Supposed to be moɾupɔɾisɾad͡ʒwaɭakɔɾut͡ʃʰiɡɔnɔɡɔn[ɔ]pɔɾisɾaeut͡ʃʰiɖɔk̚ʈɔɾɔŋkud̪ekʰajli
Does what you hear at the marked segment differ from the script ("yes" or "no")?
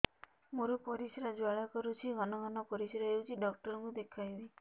no